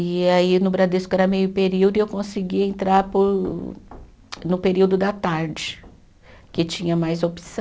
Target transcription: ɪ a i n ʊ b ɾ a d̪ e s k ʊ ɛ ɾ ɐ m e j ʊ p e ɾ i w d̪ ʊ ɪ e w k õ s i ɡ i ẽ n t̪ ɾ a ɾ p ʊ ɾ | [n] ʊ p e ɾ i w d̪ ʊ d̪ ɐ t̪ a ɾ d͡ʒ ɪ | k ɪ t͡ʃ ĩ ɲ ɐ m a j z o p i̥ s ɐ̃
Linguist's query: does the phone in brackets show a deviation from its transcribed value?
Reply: no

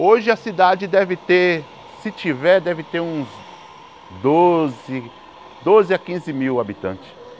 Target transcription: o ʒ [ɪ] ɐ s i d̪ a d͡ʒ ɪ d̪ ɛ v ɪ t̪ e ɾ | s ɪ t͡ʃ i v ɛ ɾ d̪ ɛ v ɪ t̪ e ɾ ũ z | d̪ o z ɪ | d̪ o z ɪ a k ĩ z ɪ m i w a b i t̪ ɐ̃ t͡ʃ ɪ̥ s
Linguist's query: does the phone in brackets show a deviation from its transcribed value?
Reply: no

